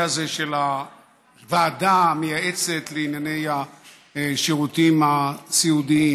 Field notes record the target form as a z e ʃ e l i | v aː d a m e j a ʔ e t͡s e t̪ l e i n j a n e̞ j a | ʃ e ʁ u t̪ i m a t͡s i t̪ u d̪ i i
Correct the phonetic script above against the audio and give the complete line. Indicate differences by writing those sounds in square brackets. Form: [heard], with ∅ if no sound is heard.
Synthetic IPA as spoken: a z e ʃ e l [a] | v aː d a m e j a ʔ e t͡s e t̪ l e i n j a n e̞ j a | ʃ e ʁ u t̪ i m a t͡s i [∅] u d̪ i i